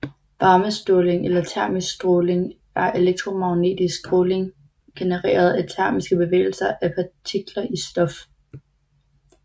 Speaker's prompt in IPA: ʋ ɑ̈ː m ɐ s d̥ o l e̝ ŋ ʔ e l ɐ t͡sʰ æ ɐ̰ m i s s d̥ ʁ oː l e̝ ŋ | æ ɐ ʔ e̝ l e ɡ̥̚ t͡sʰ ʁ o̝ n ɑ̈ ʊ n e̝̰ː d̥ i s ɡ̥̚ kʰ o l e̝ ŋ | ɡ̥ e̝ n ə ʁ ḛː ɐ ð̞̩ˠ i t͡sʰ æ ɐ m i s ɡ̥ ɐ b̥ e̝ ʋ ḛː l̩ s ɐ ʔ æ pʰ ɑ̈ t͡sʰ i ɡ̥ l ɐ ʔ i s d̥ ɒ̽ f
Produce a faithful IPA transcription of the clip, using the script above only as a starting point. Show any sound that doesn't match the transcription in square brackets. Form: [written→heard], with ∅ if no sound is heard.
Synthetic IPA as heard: ʋ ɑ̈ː m [ɐ→ə] s d̥ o l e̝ ŋ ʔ e l ɐ t͡sʰ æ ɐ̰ m i s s d̥ ʁ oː l e̝ ŋ | æ ɐ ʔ e̝ l e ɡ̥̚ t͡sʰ ʁ o̝ [n→m] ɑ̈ ʊ n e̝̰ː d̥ i s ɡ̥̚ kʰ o l e̝ ŋ | ɡ̥ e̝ n ə ʁ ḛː ɐ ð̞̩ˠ [i→æ] t͡sʰ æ ɐ m i s ɡ̥ [ɐ→ə] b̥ e̝ ʋ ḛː l̩ s ɐ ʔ æ pʰ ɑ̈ t͡sʰ i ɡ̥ l ɐ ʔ i s d̥ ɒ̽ f